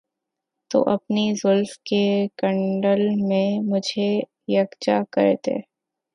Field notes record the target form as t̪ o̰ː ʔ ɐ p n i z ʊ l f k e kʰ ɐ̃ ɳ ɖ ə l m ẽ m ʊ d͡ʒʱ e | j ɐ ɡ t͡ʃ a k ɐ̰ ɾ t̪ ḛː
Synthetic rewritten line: t̪ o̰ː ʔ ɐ p n i z ʊ l f k e k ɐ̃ ɳ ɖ ə l m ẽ m ʊ d͡ʒʱ e | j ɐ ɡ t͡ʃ a k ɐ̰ ɾ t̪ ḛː